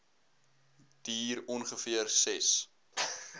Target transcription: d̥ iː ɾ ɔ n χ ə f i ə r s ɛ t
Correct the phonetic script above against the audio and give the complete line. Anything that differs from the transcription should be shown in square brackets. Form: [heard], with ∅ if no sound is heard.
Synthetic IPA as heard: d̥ iː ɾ ɔ n χ ə f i ə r s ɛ [s]